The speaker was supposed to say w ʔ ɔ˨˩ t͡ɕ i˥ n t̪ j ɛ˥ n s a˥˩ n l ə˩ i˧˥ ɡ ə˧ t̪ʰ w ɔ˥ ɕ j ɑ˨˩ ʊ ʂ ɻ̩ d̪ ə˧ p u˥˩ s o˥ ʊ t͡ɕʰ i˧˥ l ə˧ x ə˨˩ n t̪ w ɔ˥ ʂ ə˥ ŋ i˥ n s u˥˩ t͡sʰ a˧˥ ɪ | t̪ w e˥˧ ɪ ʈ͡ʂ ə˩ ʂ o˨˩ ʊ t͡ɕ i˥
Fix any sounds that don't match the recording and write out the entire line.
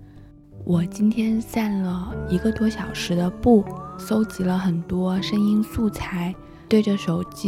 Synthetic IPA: w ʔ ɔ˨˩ t͡ɕ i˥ n t̪ʰ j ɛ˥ n s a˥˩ n l ə˩ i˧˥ ɡ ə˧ t̪ w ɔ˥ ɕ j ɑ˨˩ ʊ ʂ ɻ̩ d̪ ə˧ p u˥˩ s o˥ ʊ t͡ɕ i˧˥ l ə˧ x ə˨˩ n t̪ w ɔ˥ ʂ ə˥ ŋ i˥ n s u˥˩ t͡sʰ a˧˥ ɪ | t̪ w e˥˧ ɪ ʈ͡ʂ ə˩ ʂ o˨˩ ʊ t͡ɕ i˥